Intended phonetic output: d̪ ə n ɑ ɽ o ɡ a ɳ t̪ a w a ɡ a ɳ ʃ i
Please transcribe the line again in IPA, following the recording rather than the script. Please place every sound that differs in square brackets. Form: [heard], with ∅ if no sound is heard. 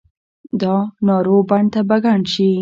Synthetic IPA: d̪ [ɑ] n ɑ [ɾ] o [b] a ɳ t̪ a [b] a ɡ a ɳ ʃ i